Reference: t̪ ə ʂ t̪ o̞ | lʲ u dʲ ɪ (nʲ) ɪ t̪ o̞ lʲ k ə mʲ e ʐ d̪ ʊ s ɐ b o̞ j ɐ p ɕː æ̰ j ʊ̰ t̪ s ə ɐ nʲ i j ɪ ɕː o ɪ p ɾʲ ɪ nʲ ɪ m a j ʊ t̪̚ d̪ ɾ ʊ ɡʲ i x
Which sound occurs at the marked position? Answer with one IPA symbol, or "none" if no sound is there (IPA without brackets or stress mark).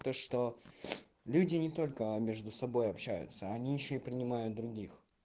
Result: nʲ